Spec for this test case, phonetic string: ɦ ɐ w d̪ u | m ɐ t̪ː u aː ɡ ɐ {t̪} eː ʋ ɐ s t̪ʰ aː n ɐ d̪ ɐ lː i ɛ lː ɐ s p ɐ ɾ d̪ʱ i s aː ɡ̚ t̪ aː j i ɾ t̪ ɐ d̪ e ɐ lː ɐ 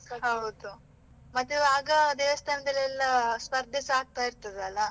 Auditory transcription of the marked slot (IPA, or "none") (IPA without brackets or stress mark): d̪